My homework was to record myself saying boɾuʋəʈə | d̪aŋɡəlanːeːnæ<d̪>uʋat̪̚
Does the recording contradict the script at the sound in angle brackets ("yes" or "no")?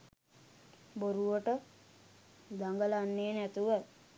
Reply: yes